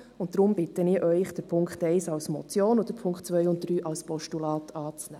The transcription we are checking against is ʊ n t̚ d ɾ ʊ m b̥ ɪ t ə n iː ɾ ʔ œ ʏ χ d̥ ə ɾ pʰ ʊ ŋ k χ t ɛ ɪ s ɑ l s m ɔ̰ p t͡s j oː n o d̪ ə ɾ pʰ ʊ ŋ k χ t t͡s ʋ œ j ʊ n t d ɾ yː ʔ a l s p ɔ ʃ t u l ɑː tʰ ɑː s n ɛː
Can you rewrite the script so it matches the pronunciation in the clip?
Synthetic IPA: ʊ n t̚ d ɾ ʊ m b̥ ɪ t ə n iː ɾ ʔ œ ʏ χ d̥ ə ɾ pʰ ʊ ŋ k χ t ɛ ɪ s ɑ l s m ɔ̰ t͡s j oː n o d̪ ə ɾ pʰ ʊ ŋ k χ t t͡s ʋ œ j ʊ n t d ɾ yː ʔ ɑ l s p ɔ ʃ t u l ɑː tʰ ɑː t͡s n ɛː